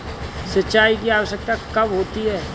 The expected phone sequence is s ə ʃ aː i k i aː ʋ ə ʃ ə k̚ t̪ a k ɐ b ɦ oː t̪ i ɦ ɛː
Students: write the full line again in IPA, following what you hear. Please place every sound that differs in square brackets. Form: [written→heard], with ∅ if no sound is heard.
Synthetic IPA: s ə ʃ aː i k i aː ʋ ə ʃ ə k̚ t̪ a k ɐ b ɦ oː t̪ i ɦ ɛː